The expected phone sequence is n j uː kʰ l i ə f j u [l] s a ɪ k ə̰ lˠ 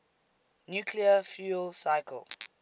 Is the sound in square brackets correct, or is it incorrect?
correct